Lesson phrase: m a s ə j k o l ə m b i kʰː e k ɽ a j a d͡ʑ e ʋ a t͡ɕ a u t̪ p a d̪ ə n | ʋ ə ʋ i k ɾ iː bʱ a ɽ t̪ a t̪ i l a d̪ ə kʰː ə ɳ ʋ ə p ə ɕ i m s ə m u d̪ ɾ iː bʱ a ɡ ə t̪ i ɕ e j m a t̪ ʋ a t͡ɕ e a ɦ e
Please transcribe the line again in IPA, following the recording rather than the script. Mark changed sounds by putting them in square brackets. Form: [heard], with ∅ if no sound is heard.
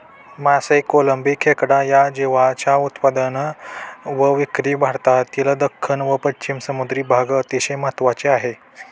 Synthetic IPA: m a s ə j k o l ə m b i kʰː e k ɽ a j a d͡ʑ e ʋ a t͡ɕ a u t̪ p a d̪ ə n | ʋ ə ʋ i k ɾ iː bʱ a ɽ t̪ a t̪ i l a d̪ ə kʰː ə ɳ ʋ ə p ə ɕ i m s ə m u d̪ ɾ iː bʱ a ɡ ə t̪ i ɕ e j m a t̪ ʋ a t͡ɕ e a ɦ e